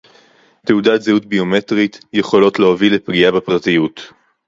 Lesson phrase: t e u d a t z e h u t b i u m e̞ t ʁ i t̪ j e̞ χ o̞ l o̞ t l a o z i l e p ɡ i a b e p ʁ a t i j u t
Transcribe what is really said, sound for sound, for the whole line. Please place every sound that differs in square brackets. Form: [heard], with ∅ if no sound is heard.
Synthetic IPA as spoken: t e u d a t z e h u t b i [o] m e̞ t ʁ i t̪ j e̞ χ o̞ l o̞ t l [e] o [v] i l e p ɡ i a b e p ʁ a t i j u t